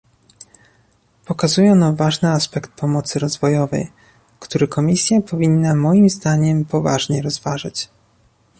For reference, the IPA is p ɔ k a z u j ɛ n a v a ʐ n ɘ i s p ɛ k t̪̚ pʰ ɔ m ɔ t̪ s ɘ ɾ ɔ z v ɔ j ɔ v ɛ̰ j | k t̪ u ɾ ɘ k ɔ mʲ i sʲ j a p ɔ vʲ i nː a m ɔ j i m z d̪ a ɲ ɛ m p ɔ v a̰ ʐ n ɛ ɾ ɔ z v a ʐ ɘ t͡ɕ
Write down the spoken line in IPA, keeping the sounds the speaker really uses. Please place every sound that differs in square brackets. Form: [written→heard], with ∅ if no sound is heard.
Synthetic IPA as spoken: p ɔ k a z u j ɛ n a v a ʐ n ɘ [i→a] s p ɛ k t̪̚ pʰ ɔ m ɔ t̪ s ɘ ɾ ɔ z v ɔ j ɔ v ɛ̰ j | k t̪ u ɾ ɘ k ɔ mʲ i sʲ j a p ɔ vʲ i nː a m ɔ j i m z d̪ a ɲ ɛ m p ɔ v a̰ ʐ [n→ɲ] ɛ ɾ ɔ z v a ʐ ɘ t͡ɕ